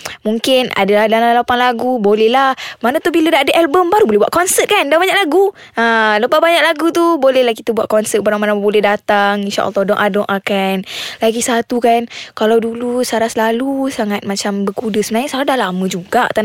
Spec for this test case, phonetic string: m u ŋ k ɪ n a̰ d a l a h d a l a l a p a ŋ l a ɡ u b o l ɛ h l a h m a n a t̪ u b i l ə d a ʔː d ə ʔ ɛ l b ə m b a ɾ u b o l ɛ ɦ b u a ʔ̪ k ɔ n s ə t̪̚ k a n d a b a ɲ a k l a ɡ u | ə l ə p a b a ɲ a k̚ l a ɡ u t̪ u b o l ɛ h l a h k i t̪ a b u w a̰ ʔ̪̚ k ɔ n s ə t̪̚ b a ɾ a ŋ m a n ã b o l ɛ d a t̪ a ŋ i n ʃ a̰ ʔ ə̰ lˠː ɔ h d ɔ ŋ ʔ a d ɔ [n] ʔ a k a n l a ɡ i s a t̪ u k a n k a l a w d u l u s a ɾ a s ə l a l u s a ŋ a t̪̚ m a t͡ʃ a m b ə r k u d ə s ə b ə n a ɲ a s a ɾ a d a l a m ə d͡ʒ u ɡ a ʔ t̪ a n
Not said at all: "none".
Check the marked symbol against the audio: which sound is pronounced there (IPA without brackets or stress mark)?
ŋ